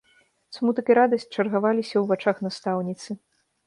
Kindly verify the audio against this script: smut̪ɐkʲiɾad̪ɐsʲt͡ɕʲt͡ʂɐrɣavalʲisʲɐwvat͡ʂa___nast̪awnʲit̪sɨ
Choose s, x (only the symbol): x